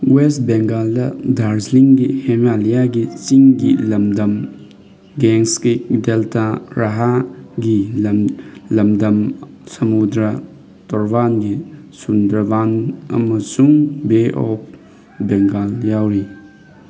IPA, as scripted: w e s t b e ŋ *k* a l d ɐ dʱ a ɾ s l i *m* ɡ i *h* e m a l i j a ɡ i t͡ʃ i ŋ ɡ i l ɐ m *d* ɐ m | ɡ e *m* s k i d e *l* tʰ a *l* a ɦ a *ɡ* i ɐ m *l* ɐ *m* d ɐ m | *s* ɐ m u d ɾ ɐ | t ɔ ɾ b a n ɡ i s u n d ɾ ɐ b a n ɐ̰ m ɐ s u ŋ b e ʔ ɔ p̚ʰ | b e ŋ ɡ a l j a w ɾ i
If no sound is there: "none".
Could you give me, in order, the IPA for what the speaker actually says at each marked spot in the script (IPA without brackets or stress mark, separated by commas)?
ɡ, ŋ, h, d, ŋ, l, ɾ, ɡ, l, m, s